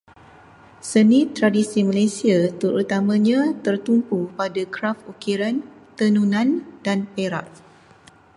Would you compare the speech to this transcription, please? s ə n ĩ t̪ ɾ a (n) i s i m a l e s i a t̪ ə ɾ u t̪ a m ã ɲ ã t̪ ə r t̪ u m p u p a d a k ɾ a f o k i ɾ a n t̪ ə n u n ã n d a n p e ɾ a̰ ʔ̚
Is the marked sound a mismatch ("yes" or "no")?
yes